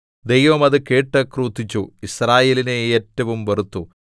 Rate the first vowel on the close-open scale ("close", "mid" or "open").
mid